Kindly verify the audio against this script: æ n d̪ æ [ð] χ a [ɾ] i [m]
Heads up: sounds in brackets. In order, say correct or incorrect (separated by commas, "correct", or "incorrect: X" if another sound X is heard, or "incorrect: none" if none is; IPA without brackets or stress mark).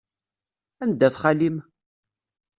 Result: incorrect: θ, incorrect: l, correct